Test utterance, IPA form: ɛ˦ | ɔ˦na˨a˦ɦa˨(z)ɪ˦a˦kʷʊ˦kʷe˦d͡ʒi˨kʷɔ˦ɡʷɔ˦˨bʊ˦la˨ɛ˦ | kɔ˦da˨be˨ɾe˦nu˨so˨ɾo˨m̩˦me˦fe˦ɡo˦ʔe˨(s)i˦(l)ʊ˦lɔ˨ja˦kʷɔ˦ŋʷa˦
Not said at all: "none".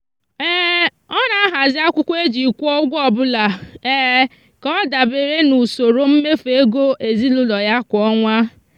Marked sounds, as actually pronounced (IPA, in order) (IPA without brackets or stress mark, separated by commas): z, z, l